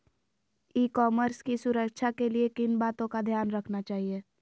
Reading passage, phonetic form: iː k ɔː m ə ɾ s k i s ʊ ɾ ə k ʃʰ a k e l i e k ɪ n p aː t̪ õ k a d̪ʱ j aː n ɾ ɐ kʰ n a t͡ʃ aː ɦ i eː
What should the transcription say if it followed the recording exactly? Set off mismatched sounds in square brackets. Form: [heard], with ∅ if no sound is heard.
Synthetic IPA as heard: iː k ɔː m ə ɾ s k i s ʊ ɾ ə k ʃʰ a k e l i e k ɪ n [b] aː t̪ õ k a d̪ʱ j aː n ɾ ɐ kʰ n a t͡ʃ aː ɦ i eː